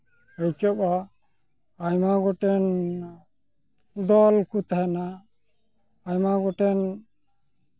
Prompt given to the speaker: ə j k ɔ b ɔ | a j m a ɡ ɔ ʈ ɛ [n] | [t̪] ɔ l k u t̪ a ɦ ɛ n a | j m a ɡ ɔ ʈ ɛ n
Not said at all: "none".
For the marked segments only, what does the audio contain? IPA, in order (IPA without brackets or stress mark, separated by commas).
n, d̪